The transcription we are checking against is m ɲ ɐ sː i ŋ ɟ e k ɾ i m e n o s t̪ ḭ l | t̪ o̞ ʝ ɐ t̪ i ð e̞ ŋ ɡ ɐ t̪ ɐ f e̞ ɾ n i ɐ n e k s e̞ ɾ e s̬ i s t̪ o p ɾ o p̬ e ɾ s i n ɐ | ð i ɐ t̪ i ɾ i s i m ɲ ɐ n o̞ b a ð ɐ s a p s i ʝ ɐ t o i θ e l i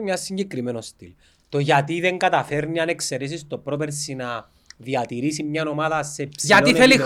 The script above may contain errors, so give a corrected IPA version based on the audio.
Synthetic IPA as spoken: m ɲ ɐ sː i ɲ ɟ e k ɾ i m e n o s t̪ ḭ l | t̪ o̞ ʝ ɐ t̪ i ð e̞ ŋ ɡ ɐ t̪ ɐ f e̞ ɾ n i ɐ n e k s e̞ ɾ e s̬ i s t̪ o p ɾ o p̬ e ɾ s i n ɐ | ð i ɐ t̪ i ɾ i s i m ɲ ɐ n o̞ m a ð ɐ s e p s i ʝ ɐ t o i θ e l i